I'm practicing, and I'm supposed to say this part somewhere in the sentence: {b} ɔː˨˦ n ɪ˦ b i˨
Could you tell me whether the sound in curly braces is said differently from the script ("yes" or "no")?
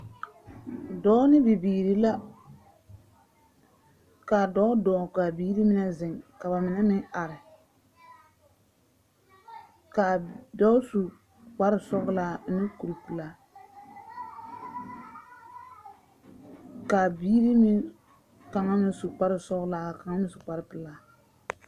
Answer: yes